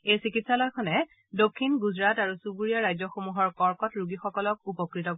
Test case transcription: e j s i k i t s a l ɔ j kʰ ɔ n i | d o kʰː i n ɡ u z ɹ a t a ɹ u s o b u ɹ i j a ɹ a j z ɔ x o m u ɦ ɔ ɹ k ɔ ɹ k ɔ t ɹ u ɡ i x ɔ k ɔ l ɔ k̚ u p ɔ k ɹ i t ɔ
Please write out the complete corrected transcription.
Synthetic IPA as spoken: e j s i k i t s a l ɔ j kʰ ɔ n ɛ | d o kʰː i n ɡ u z ɹ a t a ɹ u s u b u ɹ i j a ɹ a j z ɔ x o m u ɦ ɔ ɹ k ɔ ɹ k ɔ t ɹ u ɡ i x ɔ k ɔ l ɔ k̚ u p ɔ k ɹ i t ɔ